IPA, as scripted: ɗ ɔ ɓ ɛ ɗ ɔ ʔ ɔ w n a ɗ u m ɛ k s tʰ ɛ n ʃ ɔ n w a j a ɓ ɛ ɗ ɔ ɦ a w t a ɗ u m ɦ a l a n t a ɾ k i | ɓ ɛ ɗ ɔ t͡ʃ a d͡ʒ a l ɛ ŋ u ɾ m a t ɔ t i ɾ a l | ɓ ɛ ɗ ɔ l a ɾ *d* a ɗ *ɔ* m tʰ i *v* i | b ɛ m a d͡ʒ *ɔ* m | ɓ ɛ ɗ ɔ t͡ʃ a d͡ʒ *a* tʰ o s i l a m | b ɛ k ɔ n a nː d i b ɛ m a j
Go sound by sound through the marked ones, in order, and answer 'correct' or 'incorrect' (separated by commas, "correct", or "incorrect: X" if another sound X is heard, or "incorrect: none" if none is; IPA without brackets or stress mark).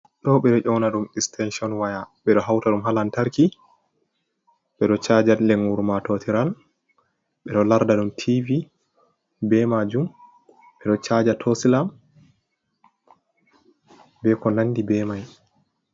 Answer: correct, incorrect: u, correct, incorrect: u, correct